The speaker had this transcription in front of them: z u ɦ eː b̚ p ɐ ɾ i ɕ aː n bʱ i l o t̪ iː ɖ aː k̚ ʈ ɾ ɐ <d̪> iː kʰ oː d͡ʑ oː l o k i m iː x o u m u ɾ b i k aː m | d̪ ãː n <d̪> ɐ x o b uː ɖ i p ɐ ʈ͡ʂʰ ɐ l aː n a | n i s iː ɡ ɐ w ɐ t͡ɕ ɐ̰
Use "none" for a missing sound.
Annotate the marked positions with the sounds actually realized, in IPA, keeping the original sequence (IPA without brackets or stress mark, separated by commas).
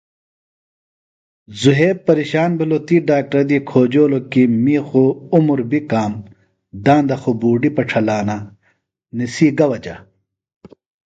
d̪, d̪